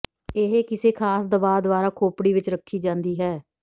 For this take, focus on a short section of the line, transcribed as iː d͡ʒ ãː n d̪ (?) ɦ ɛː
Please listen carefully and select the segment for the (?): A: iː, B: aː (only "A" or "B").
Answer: A